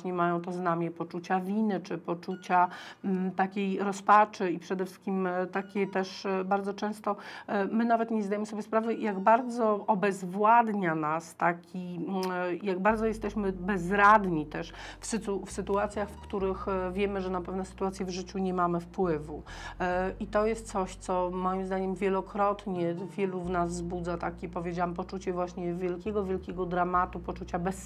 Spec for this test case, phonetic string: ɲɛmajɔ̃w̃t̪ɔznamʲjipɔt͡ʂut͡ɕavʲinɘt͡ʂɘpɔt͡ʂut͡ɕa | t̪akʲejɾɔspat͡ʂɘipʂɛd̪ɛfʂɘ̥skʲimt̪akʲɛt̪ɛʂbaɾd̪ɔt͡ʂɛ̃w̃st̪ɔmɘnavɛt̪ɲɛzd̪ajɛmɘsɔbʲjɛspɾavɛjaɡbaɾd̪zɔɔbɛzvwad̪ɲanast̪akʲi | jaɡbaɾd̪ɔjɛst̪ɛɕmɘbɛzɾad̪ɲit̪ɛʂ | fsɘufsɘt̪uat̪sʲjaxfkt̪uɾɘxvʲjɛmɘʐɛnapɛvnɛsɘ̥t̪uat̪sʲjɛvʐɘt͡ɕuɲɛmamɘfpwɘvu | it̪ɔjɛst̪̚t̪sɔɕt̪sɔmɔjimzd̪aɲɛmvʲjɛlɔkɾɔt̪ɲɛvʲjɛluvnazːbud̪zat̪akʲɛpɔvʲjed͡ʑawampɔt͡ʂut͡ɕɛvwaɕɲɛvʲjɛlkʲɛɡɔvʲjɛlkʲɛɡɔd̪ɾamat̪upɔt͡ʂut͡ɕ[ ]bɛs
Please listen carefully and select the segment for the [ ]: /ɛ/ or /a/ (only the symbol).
a